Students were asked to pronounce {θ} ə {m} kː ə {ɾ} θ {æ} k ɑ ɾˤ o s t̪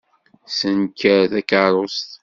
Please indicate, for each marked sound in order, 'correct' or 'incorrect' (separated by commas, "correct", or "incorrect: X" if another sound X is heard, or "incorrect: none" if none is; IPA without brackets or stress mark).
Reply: incorrect: s, incorrect: n, correct, correct